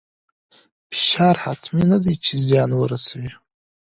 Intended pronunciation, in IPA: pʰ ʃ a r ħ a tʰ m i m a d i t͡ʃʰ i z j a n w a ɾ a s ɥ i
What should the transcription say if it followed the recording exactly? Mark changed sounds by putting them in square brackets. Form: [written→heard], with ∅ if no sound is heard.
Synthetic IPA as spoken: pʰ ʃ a r ħ a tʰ m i [m→n] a d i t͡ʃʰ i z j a n w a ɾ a s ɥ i